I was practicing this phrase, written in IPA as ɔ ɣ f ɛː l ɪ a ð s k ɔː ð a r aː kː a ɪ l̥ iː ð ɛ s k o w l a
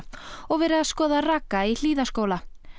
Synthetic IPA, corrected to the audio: ɔ ɣ v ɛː ɾ ɪ a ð s k ɔː ð a r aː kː a i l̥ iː ð a s k o w l a